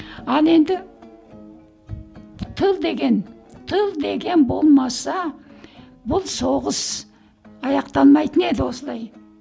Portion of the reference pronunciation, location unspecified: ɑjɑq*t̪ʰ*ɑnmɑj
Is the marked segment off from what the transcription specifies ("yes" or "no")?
yes